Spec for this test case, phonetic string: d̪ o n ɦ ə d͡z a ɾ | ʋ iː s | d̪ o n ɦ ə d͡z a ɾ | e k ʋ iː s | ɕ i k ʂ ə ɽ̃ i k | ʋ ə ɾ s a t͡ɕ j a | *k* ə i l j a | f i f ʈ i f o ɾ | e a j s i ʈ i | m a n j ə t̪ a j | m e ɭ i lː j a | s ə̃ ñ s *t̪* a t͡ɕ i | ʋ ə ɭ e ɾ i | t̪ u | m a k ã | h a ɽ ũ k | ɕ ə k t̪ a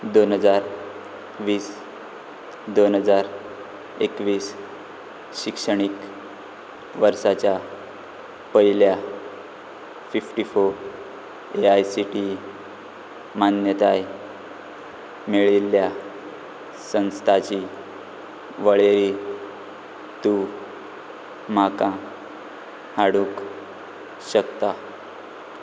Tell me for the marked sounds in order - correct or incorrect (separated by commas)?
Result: incorrect, incorrect